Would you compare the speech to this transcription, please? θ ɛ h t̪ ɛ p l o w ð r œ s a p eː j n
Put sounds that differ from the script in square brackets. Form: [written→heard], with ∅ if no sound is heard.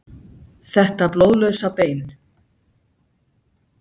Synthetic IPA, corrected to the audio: θ ɛ h t̪ [ɛ→a] p l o w ð [r→l] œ s a p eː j n